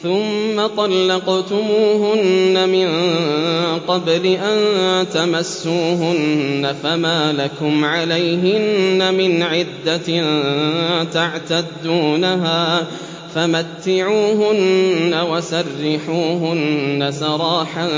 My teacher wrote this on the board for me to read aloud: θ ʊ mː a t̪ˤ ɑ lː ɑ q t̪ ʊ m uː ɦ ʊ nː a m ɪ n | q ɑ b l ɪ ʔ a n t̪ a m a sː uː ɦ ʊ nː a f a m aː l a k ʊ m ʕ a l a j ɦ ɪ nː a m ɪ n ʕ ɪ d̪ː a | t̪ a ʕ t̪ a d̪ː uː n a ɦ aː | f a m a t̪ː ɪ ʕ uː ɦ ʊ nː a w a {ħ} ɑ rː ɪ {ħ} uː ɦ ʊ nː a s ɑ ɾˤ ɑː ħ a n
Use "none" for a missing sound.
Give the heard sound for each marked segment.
s, ħ

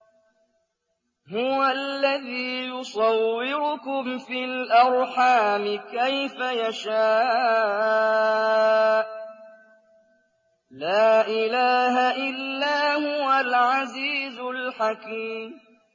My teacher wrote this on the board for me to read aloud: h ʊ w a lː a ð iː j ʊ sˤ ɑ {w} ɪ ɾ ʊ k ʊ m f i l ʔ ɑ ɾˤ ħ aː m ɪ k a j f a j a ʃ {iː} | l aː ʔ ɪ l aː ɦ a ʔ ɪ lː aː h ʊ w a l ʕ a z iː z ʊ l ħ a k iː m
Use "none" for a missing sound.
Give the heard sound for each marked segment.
wː, aː

